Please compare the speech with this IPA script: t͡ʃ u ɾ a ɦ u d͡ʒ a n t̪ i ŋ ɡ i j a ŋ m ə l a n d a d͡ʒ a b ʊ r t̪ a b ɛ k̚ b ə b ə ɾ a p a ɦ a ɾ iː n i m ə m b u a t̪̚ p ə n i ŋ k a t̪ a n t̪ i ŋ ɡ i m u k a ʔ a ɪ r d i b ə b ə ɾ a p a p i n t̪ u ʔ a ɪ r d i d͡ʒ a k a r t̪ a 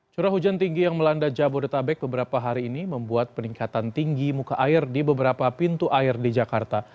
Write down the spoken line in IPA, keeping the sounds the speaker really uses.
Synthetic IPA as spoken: t͡ʃ u ɾ a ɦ u d͡ʒ a n t̪ i ŋ ɡ i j a ŋ m ə l a n d a d͡ʒ a b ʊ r t̪ a b ɛ k̚ b ə b ə ɾ a p a ɦ a ɾ iː n i m ə m b u a t̪̚ p ə n i ŋ k a t̪ a n t̪ i ŋ ɡ i m u k a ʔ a ɪ r d i b ə b ə ɾ a p a p i n t̪ u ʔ a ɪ r d i d͡ʒ a k a r t̪ a